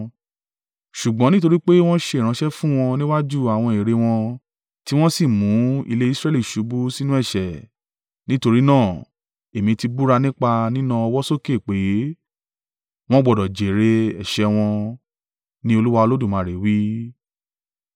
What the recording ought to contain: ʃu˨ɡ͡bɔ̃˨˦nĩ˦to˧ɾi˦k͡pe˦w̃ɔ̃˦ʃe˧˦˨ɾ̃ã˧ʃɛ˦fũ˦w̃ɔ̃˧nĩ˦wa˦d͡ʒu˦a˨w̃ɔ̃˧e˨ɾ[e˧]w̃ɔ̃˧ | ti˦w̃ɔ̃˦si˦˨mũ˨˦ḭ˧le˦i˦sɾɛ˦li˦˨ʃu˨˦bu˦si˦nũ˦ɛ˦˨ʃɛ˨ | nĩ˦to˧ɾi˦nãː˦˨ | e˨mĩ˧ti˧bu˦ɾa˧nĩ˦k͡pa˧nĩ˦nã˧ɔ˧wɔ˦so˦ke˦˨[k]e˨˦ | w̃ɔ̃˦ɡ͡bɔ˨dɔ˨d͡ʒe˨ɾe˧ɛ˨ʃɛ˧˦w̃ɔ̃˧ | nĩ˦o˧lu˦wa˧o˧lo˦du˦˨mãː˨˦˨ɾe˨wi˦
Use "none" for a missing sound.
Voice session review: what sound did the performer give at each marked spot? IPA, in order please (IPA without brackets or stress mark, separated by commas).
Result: e˧, k͡p